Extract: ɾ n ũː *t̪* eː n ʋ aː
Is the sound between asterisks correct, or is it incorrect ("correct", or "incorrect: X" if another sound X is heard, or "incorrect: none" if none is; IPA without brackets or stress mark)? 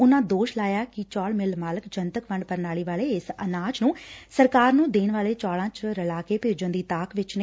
incorrect: d̪